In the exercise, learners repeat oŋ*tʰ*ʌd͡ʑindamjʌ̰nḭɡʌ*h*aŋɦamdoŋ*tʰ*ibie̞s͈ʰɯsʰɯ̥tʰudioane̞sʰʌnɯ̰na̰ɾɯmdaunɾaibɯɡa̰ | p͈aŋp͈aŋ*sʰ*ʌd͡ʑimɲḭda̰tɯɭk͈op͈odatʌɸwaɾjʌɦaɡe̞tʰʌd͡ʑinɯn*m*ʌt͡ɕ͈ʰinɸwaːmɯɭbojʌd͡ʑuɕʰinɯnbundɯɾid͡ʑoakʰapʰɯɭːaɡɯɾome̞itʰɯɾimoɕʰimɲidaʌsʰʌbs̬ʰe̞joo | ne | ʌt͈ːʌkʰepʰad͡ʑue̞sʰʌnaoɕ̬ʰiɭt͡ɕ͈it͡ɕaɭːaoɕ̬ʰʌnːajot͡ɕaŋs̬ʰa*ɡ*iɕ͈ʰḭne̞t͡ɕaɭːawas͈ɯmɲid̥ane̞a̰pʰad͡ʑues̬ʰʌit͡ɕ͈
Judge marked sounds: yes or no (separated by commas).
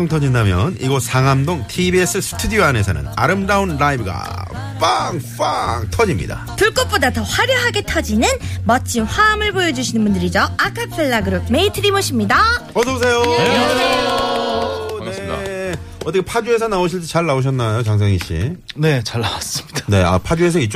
yes, no, yes, no, yes, no